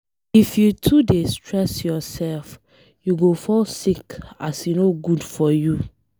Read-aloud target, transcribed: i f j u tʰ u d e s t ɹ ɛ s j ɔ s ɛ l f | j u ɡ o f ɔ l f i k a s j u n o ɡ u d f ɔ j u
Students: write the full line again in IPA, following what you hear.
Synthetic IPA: i f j u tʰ u d e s t ɹ ɛ s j ɔ s ɛ l f | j u ɡ o f ɔ l s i k a s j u n o ɡ u d f ɔ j u